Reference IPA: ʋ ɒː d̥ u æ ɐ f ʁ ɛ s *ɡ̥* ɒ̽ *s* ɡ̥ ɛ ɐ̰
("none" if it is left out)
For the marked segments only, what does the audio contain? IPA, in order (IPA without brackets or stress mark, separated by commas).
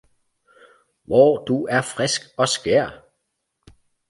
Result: ɡ̥, s